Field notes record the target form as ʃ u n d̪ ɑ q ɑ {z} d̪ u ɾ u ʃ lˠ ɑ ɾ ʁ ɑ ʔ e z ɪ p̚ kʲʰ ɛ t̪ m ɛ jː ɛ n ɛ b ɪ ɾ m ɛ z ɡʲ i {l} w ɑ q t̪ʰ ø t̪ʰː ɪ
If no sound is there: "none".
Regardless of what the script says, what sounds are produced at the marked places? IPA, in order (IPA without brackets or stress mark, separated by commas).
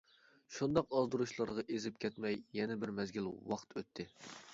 z, l